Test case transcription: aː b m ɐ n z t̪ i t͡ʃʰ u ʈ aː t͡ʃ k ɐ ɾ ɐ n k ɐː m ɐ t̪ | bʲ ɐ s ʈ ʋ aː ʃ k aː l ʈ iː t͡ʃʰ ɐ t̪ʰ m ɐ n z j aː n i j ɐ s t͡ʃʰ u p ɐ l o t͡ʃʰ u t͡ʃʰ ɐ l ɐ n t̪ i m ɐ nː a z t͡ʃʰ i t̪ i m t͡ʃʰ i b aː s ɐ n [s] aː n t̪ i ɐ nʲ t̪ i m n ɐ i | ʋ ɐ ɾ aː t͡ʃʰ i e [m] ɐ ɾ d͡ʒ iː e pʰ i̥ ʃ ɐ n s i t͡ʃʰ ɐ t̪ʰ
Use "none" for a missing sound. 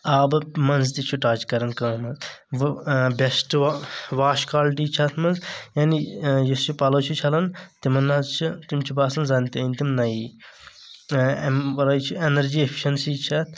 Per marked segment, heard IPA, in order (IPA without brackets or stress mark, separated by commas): z, n